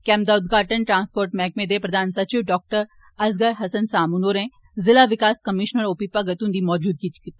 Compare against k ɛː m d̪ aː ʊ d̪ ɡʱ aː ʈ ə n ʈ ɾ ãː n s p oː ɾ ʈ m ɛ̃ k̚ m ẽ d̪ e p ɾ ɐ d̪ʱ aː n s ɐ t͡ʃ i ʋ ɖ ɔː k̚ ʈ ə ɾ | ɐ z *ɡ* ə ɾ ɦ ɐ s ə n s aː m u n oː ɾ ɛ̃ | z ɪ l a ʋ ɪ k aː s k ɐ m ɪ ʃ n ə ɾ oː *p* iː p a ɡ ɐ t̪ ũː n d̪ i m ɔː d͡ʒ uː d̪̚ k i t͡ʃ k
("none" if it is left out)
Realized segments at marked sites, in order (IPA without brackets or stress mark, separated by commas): ɡ, p